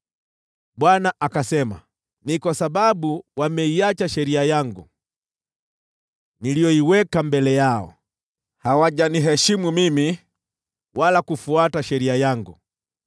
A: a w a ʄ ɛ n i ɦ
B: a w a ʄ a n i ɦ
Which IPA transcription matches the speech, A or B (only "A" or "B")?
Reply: B